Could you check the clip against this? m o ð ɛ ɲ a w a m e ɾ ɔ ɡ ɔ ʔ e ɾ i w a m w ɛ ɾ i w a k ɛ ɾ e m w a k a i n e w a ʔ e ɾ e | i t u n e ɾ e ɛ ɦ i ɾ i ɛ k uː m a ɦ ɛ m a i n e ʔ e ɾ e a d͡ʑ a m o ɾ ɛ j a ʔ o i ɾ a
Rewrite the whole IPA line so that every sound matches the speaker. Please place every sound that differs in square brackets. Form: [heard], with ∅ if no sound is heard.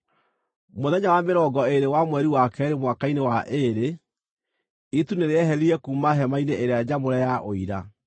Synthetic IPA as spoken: m o ð ɛ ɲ a w a m e ɾ ɔ ɡ ɔ [∅] e ɾ [e] w a m w ɛ ɾ i w a k ɛ ɾ e m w a k a i n e w a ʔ e ɾ e | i t u n e ɾ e ɛ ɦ [ɛ] ɾ i ɛ k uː m a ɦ ɛ m a i n e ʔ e ɾ e a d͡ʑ a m o ɾ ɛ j a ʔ o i ɾ a